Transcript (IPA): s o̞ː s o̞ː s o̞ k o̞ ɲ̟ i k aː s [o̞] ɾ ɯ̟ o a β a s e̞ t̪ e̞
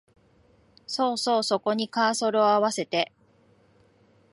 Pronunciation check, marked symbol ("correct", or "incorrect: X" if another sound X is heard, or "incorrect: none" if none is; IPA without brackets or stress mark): correct